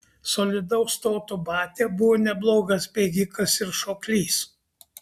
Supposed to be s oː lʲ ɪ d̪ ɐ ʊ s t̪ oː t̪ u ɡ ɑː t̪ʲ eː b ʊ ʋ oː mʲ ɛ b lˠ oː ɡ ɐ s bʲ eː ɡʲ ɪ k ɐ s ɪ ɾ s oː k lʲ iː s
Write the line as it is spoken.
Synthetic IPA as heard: s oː lʲ ɪ d̪ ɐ ʊ s t̪ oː t̪ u b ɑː t̪ʲ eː b ʊ ʋ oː nʲ ɛ b lˠ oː ɡ ɐ s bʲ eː ɡʲ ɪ k ɐ s ɪ ɾ ʃ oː k lʲ iː s